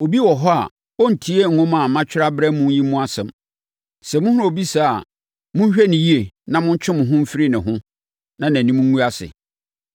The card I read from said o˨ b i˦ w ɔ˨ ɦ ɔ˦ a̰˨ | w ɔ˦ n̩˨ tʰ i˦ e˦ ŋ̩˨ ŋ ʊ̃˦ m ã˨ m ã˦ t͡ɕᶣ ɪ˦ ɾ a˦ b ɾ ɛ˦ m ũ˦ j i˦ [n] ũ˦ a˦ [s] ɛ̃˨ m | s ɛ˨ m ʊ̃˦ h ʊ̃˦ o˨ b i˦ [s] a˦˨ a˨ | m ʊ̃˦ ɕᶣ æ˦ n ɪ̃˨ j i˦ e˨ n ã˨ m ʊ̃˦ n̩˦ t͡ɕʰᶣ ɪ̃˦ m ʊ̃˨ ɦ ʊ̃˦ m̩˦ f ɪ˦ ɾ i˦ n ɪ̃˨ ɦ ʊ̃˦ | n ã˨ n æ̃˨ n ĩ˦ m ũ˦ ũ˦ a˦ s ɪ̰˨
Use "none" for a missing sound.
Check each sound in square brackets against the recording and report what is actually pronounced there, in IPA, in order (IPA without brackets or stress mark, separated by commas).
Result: m, s, s